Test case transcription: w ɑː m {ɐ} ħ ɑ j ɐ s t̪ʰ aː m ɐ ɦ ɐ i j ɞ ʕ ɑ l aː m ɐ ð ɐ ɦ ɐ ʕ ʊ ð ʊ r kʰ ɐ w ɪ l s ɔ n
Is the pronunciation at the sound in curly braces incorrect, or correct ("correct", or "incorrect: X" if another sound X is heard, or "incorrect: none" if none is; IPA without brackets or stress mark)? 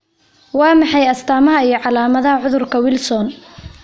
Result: incorrect: ɑ